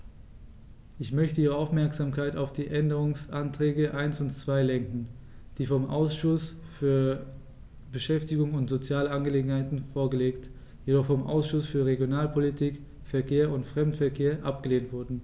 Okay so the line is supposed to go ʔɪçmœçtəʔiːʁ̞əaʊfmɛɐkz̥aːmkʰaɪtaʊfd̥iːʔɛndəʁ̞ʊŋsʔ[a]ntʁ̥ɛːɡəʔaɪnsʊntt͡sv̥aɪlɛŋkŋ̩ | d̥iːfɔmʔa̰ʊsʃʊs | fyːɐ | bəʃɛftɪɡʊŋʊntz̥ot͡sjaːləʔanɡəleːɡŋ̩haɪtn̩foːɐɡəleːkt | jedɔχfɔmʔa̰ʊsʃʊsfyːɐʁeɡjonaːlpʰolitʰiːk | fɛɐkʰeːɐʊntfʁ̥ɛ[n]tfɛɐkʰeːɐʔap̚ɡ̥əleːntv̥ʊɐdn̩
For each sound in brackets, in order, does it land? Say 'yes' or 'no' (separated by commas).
yes, no